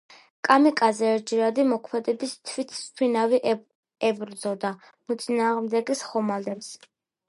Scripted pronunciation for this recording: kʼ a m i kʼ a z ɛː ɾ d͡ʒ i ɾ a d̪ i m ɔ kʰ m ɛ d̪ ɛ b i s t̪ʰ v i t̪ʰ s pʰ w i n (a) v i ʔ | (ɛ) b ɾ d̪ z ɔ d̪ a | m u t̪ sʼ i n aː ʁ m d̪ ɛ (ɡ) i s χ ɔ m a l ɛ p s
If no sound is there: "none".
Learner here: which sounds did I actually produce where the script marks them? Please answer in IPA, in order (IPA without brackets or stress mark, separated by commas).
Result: a, ɛ, ɡ